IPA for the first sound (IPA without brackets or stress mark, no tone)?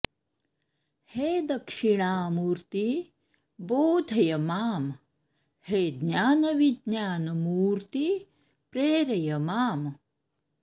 h